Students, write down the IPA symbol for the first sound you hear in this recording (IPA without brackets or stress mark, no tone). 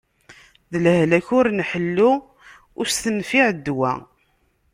ð